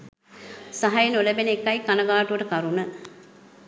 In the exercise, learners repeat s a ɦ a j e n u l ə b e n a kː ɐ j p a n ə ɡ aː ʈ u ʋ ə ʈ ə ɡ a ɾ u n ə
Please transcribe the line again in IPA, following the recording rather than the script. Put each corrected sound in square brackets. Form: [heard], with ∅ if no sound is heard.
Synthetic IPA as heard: s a ɦ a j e n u l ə b e n [e] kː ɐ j [k] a n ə ɡ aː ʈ u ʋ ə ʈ ə [k] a ɾ u n ə